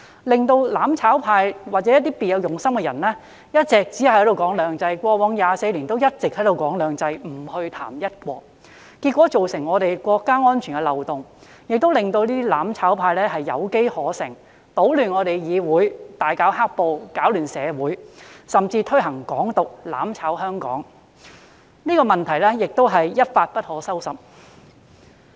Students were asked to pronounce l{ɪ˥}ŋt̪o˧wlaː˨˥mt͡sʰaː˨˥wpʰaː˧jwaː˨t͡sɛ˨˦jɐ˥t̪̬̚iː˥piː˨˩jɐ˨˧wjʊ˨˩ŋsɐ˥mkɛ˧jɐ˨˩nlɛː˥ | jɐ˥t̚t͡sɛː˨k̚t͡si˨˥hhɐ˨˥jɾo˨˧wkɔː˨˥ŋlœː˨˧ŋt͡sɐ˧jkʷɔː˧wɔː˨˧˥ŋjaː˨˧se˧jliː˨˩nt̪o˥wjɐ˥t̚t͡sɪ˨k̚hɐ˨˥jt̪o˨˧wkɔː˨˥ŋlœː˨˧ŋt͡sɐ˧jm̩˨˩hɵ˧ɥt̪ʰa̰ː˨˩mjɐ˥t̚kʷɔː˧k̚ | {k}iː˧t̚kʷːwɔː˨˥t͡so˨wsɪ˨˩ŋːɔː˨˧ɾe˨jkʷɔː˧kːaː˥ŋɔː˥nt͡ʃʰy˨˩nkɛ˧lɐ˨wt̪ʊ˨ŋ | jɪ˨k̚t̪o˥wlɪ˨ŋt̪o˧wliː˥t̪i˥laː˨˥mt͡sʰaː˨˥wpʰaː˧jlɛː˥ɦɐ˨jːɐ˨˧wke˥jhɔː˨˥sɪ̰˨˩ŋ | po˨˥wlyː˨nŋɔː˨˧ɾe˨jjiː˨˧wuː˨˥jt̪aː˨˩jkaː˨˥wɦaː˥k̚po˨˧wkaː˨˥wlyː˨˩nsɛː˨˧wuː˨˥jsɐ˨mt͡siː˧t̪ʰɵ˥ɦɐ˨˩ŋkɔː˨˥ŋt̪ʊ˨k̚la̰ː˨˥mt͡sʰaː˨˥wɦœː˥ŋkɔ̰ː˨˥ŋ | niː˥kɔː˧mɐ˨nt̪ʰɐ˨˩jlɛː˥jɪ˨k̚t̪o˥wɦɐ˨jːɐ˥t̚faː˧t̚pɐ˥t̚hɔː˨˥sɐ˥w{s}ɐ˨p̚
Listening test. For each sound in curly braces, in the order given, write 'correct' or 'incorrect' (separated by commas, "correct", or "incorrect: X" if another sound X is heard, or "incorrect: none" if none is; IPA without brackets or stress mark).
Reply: incorrect: ɪ˨, correct, correct